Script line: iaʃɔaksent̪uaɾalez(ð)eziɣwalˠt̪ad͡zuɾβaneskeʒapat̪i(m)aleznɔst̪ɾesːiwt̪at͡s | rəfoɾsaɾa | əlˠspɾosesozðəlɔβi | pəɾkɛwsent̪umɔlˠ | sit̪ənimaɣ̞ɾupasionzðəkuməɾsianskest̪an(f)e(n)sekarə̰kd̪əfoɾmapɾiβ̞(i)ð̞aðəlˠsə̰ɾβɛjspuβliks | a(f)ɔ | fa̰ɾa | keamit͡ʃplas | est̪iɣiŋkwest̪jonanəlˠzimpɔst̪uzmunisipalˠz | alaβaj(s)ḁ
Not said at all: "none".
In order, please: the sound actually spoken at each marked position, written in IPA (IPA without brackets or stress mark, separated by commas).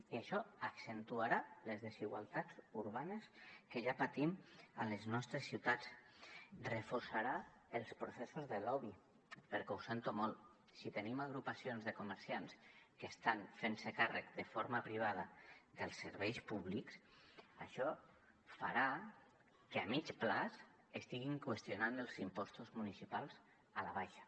ð, m, f, n, a, ʃ, ʃ